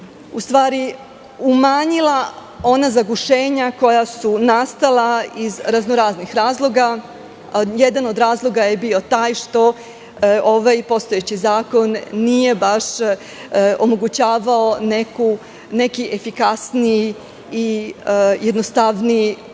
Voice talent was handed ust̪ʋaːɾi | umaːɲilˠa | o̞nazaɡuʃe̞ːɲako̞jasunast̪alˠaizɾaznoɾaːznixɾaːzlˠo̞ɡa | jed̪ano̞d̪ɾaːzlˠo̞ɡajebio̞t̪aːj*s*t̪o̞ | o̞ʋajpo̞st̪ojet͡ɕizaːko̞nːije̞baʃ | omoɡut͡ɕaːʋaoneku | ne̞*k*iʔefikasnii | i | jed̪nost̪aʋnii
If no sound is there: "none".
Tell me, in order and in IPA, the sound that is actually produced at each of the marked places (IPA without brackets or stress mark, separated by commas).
ʃ, k